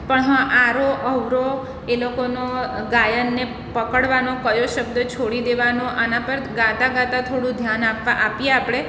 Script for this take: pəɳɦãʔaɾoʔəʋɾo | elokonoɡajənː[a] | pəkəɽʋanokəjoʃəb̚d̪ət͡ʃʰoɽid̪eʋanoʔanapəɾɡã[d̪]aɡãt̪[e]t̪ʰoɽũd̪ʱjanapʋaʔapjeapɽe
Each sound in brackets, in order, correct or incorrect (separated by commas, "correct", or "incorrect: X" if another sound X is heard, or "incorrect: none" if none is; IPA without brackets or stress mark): incorrect: e, incorrect: t̪, incorrect: a